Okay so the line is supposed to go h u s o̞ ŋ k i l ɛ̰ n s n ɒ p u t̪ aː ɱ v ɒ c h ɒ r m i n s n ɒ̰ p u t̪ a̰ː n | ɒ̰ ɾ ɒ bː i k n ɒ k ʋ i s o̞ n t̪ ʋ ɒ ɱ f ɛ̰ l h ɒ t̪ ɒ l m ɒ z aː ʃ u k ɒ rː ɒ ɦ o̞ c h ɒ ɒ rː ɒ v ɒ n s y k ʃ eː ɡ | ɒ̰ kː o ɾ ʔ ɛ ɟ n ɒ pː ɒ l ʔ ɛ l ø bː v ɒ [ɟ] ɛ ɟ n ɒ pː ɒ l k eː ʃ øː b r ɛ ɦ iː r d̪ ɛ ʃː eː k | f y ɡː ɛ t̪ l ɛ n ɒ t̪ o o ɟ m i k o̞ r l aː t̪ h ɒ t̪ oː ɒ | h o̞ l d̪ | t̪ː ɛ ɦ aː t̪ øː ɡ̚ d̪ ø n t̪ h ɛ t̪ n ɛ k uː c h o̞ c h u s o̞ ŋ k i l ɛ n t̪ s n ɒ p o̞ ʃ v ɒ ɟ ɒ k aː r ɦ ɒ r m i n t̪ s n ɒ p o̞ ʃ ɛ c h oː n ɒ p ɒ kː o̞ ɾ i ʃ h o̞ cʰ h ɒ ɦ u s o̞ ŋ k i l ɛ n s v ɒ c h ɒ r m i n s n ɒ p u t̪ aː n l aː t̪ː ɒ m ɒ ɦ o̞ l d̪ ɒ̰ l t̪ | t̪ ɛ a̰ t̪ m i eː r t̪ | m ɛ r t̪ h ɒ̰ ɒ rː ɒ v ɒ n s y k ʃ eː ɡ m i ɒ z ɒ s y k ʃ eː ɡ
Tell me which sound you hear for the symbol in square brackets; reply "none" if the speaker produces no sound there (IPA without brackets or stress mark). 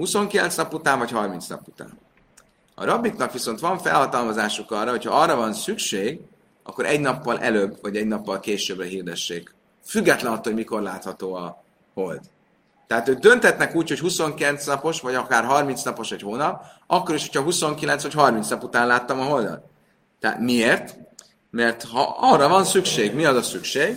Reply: ɟ